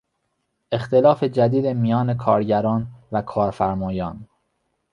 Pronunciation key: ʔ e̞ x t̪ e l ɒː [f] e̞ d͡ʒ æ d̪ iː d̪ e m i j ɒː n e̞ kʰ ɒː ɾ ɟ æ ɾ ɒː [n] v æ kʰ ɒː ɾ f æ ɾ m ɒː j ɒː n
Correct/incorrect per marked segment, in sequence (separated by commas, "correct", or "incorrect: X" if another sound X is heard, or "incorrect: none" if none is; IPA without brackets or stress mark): correct, correct